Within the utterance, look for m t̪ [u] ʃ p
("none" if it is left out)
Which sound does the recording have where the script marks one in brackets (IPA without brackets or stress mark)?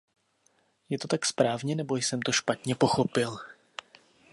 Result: o